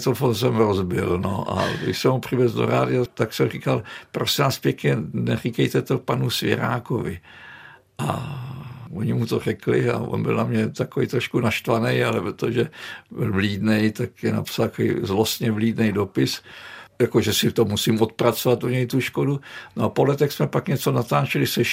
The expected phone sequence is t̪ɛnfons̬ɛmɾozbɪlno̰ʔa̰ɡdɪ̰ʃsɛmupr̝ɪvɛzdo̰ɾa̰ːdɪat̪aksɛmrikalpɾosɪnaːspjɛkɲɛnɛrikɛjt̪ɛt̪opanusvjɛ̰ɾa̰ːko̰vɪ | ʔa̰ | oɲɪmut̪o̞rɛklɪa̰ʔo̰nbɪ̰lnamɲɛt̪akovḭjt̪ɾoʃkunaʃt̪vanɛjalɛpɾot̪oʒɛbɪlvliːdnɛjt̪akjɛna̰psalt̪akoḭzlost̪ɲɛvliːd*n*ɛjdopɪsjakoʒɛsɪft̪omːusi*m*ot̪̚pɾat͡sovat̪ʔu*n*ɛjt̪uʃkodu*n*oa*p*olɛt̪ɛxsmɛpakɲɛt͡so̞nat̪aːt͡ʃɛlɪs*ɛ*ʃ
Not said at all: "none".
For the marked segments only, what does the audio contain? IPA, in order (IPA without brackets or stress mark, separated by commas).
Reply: n, m, ɲ, n, p, ɛ